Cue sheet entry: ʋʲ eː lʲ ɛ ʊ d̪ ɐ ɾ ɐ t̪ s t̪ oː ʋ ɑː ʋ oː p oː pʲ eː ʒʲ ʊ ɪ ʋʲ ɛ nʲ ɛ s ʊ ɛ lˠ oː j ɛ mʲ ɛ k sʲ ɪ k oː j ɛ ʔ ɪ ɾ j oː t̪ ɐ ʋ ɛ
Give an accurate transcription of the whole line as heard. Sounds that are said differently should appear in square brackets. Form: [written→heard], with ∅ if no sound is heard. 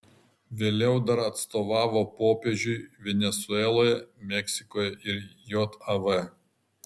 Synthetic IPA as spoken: ʋʲ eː lʲ ɛ ʊ d̪ ɐ ɾ ɐ t̪ s t̪ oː ʋ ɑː ʋ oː p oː pʲ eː ʒʲ ʊ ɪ ʋʲ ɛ nʲ ɛ s ʊ ɛ lˠ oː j ɛ mʲ ɛ k sʲ ɪ k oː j ɛ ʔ ɪ ɾ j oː t̪ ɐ ʋ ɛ